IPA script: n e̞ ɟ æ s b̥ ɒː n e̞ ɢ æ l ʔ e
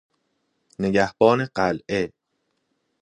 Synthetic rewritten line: n e̞ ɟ æ h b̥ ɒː n e̞ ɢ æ l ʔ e